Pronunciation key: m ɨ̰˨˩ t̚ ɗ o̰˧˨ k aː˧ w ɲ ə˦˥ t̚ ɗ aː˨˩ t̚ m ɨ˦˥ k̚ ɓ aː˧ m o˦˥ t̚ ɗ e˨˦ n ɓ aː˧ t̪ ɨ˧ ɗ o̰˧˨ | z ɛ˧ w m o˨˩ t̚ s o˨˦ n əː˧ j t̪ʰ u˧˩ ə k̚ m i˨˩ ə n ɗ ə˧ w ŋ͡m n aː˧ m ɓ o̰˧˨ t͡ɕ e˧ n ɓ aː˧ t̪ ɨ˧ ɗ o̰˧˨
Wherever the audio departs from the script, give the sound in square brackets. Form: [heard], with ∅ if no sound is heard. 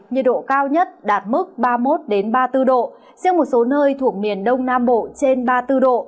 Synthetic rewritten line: [ɲ] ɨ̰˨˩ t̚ ɗ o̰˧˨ k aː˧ w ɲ ə˦˥ t̚ ɗ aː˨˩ t̚ m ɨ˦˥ k̚ ɓ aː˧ m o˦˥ t̚ ɗ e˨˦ n ɓ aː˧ t̪ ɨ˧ ɗ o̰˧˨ | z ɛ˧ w m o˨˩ t̚ s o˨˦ n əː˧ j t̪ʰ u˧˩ ə k̚ m i˨˩ ə n ɗ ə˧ w ŋ͡m n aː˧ m ɓ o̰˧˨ t͡ɕ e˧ n ɓ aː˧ t̪ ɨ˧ ɗ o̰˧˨